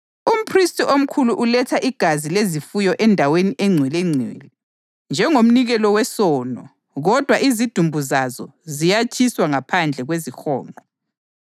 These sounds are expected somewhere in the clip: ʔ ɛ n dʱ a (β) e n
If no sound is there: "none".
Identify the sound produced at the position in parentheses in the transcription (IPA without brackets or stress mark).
w